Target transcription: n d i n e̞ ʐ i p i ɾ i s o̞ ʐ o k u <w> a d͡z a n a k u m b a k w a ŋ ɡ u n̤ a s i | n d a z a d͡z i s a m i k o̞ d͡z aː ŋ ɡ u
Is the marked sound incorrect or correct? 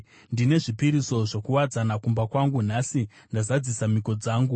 correct